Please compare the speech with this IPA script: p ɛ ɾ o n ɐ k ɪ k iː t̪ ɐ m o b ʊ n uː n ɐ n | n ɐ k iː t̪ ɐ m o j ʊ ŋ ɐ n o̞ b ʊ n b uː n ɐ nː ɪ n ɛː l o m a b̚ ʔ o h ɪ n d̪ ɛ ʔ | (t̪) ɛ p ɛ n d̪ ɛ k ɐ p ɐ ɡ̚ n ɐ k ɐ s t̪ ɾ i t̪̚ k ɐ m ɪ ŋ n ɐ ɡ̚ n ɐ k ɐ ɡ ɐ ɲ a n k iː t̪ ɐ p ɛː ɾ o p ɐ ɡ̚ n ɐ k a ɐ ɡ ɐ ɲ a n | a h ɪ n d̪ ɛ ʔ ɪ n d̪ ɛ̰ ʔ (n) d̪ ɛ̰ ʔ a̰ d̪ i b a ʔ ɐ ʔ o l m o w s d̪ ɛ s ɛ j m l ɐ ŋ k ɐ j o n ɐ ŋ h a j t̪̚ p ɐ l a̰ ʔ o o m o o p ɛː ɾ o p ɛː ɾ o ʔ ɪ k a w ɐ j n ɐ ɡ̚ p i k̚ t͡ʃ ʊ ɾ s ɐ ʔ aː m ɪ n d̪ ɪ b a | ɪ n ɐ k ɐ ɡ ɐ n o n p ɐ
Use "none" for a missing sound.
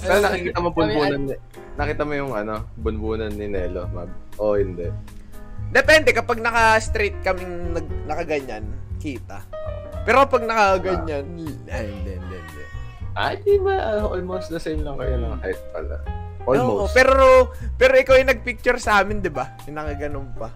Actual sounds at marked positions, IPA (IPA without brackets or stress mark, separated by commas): d̪, n